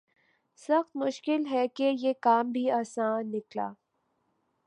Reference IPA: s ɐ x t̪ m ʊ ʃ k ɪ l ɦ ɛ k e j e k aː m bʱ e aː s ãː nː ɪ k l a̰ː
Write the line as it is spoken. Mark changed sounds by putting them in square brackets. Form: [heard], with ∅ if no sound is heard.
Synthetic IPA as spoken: s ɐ x t̪ m ʊ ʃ k ɪ l ɦ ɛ k e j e k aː m bʱ [i] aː s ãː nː ɪ k l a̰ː